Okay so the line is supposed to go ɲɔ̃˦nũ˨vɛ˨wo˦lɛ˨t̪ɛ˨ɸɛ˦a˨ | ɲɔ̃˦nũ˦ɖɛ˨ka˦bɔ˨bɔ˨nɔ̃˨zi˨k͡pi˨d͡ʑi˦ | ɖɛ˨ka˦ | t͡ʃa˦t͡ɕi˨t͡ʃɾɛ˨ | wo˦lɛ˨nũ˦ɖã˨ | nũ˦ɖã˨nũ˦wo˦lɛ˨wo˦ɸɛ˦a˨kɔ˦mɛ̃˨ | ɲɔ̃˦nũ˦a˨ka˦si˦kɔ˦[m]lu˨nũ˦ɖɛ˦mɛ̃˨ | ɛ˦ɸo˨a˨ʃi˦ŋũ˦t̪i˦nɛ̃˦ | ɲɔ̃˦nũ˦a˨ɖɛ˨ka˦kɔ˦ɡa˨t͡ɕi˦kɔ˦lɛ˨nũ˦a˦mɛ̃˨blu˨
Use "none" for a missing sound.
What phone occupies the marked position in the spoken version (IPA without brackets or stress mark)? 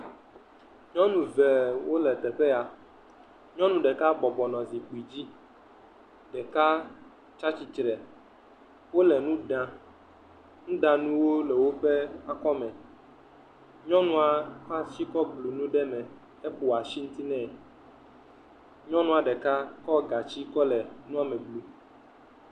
b